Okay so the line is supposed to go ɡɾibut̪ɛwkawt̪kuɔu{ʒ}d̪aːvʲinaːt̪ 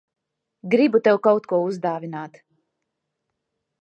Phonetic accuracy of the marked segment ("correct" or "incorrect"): incorrect